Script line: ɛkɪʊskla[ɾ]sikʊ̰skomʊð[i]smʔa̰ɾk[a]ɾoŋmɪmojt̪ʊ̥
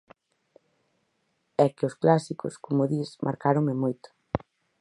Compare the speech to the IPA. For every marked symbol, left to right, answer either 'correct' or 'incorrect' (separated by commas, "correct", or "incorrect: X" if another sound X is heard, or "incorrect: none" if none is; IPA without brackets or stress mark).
incorrect: none, correct, correct